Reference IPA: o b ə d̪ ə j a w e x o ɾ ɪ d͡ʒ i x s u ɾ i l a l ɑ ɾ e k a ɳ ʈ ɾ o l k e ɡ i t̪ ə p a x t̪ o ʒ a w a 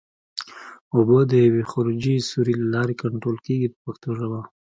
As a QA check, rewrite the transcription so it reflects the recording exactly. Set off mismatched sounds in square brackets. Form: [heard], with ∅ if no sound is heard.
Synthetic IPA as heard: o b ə d̪ ə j a w e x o ɾ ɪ d͡ʒ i [∅] s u ɾ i l a l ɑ ɾ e k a ɳ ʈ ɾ o l k e ɡ i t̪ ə p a x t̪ o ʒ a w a